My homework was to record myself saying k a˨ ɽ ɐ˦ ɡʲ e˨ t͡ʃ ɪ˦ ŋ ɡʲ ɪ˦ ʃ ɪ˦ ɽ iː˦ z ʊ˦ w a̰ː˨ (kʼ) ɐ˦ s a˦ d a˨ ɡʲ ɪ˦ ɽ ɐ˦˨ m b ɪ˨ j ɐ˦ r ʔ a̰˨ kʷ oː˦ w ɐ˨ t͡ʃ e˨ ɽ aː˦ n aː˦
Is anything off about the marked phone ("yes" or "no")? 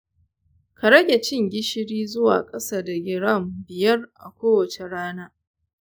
no